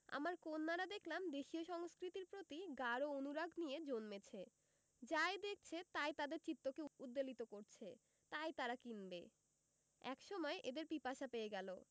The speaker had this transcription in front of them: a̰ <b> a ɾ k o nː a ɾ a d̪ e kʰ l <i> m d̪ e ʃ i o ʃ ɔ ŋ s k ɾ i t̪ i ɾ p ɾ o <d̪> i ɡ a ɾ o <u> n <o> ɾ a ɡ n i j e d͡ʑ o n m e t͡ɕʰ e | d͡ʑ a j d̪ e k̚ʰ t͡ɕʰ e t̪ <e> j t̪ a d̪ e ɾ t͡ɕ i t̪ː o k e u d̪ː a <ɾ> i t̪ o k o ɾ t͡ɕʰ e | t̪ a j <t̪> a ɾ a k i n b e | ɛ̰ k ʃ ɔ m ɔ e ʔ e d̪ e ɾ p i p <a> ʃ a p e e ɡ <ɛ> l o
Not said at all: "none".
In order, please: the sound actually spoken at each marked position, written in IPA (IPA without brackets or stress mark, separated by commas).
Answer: m, a, t̪, o, u, a, l, t̪, a, ɛ